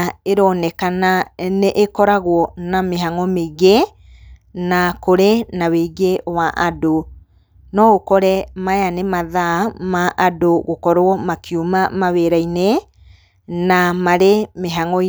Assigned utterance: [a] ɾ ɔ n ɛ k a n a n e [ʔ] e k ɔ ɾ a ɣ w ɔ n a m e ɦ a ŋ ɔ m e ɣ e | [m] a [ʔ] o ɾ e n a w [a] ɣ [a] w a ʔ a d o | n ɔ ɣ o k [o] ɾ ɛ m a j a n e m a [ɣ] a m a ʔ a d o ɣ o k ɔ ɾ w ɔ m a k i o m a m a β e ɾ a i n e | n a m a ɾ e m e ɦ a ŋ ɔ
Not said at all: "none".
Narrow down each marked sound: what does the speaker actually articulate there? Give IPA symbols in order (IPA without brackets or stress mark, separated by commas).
e, ʔ, n, k, e, e, ɔ, ð